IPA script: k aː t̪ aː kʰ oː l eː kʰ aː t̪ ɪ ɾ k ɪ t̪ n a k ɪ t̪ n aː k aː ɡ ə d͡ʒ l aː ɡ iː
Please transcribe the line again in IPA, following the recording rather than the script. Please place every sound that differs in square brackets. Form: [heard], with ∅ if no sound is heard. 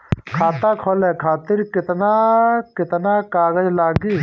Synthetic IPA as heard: [kʰ] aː t̪ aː kʰ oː l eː kʰ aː t̪ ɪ ɾ k ɪ t̪ n a k ɪ t̪ n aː k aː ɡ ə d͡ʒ l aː ɡ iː